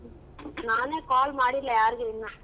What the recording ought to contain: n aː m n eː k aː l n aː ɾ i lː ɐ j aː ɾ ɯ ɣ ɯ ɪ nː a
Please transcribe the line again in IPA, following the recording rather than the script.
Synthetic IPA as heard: n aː n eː k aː l m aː ɽ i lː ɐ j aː ɾ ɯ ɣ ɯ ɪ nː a

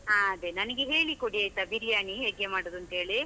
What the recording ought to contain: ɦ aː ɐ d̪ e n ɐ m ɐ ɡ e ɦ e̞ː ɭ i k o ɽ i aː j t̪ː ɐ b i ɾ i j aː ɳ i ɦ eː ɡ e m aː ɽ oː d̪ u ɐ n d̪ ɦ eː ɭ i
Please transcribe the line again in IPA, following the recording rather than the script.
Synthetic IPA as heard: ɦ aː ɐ d̪ e n ɐ n ɐ ɡ e ɦ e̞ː ɭ i k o ɽ i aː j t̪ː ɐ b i ɾ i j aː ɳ i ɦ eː ɡ e m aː ɽ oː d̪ u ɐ n t̪ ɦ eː ɭ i

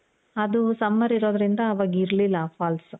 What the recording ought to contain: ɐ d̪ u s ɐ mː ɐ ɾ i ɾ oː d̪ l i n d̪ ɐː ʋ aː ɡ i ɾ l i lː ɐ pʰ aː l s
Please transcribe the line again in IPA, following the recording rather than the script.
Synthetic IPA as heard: ɐ d̪ u s ɐ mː ɐ ɾ i ɾ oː d̪ ɾ i n d̪ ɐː ʋ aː ɡ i ɾ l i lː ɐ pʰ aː l s

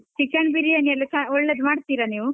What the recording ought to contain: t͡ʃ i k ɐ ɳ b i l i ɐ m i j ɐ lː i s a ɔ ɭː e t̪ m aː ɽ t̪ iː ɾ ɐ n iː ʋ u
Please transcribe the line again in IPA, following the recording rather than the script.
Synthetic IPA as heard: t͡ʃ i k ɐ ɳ b i ɾ i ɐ n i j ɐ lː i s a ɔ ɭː e d̪ m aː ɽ t̪ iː ɾ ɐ n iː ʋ u

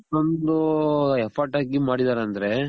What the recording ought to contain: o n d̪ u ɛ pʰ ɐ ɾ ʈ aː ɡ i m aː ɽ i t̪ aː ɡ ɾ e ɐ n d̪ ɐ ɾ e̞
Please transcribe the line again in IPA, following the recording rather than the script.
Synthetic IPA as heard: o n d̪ u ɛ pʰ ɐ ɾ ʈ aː ɡ i m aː ɽ i d̪ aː ɾ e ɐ n d̪ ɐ ɾ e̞

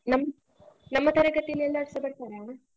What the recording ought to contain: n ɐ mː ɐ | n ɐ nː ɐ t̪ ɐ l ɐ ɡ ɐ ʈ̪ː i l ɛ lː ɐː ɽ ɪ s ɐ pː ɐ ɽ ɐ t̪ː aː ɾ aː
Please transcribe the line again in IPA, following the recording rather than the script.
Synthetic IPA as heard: n ɐ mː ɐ | n ɐ mː ɐ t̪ ɐ ɾ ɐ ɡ ɐ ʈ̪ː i l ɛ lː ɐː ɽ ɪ s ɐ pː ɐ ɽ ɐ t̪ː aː ɾ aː

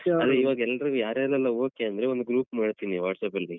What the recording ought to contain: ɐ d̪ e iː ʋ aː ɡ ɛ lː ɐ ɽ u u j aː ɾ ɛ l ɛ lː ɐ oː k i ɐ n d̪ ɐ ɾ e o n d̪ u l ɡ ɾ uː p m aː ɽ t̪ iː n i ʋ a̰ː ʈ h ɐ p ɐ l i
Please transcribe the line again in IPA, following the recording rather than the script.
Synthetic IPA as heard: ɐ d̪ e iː ʋ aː ɡ ɛ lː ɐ ɾ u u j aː ɾ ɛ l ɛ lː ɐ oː k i ɐ n d̪ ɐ ɾ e o n d̪ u ɡ ɾ uː p m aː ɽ t̪ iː n i ʋ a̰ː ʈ s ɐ p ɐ l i

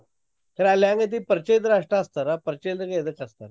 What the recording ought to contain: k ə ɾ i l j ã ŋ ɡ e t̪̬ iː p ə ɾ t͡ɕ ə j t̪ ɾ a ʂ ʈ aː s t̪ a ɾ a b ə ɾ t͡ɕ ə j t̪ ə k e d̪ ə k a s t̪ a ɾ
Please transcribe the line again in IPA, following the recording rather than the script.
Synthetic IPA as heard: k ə ɾ a l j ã ŋ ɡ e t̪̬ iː p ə ɾ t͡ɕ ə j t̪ ɾ a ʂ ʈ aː s t̪ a ɾ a p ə ɾ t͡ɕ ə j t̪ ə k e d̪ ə k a s t̪ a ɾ

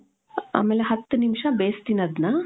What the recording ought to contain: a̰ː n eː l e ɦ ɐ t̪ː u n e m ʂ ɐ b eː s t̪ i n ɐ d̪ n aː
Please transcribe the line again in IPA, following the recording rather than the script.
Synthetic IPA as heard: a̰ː m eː l e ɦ ɐ t̪ː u n i m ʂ ɐ b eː s t̪ i n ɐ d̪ n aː

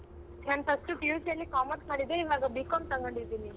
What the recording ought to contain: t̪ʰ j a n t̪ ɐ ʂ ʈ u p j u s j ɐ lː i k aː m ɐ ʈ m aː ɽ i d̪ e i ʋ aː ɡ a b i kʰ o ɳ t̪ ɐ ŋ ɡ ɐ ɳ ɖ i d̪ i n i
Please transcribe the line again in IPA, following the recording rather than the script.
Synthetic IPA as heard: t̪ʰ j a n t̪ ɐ s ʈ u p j u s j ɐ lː i k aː m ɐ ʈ m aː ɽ i d̪ e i ʋ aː ɡ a b i k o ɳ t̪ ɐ ŋ ɡ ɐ ɳ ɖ i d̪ i n i

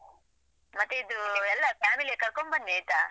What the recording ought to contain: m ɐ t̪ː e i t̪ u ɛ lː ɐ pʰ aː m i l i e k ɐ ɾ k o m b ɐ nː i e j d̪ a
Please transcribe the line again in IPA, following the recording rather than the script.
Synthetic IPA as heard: m ɐ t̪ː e i d̪ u ɛ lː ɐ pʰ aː m i l i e k ɐ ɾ k o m b ɐ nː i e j t̪ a

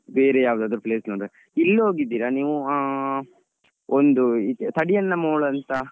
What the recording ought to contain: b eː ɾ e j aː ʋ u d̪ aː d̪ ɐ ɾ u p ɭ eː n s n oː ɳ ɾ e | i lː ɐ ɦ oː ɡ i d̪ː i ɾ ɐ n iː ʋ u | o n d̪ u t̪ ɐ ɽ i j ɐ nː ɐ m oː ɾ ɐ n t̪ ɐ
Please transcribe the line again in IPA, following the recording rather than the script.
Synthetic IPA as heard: b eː ɾ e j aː ʋ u d̪ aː d̪ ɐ ɾ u p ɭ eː s n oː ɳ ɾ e | i lː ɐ ɦ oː ɡ i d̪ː iː ɾ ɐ n iː ʋ u | o n d̪ u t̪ ɐ ɽ i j ɐ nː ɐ m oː ɭ ɐ n t̪ ɐ

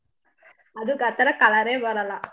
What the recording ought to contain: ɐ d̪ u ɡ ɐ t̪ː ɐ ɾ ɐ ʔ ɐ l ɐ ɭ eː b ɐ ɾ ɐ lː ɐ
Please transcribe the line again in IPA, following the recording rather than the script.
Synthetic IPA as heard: ɐ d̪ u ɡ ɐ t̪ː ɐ ɾ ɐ k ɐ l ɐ ɾ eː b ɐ ɾ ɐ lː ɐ

